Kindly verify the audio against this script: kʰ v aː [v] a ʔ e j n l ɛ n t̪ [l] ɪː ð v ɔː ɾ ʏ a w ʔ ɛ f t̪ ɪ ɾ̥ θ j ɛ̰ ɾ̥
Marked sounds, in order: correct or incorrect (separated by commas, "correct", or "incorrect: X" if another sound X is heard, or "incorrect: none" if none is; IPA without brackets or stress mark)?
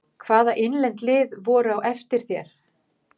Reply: incorrect: ð, correct